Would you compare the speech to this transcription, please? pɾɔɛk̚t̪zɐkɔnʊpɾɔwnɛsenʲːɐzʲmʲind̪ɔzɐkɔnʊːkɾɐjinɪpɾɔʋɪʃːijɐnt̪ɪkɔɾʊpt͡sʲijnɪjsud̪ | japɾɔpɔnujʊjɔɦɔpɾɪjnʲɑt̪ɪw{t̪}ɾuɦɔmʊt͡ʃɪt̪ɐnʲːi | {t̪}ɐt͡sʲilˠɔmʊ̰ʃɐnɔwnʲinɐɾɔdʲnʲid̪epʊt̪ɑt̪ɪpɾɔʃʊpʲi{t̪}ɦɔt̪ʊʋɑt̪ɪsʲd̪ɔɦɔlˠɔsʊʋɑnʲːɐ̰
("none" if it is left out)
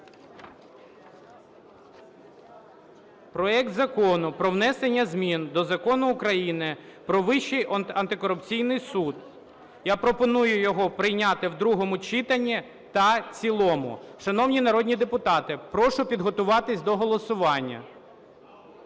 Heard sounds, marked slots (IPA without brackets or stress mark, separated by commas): d̪, t̪, d̪